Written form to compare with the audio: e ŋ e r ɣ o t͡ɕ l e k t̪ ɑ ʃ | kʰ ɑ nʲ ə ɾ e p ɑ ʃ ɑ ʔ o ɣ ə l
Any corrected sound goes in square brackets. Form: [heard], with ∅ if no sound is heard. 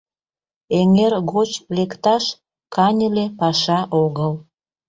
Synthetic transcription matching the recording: e ŋ e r ɣ o t͡ɕ l e k t̪ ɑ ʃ | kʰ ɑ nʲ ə [l] e p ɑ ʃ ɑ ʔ o ɣ ə l